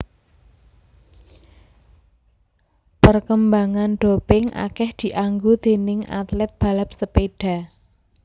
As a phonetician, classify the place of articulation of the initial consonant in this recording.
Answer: labial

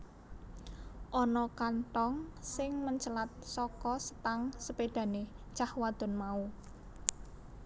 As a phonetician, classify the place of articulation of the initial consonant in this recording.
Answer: glottal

